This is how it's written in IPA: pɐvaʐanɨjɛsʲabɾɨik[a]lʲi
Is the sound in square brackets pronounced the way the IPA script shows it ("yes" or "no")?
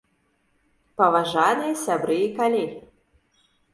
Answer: yes